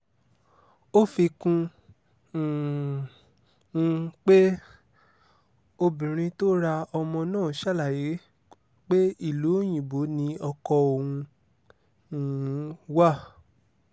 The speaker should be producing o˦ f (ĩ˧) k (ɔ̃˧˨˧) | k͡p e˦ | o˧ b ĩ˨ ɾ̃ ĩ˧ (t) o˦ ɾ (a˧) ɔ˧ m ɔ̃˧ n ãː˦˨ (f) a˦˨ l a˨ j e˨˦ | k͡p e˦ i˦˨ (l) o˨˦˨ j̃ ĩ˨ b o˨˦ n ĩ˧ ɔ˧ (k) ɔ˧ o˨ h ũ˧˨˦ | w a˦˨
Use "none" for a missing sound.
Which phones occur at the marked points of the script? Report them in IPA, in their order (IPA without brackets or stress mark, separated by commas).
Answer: i˧, ũ˧˨˧, t, a˧, ʃ, l, k